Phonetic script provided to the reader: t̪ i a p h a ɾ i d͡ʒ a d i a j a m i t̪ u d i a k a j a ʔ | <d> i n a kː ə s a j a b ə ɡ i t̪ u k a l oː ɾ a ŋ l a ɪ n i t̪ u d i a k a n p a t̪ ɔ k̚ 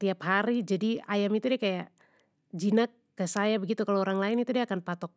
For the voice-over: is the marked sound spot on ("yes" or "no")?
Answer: no